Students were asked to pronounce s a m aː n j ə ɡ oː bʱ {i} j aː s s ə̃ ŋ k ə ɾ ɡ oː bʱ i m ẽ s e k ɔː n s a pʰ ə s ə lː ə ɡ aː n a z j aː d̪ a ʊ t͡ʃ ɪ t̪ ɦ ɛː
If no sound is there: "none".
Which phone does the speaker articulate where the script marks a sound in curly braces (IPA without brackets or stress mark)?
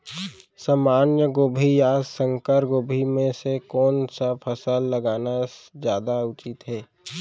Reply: i